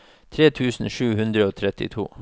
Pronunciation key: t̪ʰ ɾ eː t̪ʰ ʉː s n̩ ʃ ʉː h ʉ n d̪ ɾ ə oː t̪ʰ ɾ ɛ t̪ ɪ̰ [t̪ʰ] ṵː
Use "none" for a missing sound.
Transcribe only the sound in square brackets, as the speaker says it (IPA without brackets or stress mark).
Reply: t̪ʰ